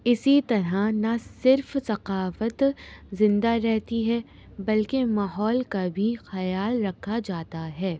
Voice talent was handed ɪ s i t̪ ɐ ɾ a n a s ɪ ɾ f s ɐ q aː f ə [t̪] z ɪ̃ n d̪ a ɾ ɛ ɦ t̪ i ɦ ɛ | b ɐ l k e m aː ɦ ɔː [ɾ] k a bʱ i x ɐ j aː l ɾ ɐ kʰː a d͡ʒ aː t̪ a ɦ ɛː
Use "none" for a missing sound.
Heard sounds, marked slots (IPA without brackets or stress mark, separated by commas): t̪, l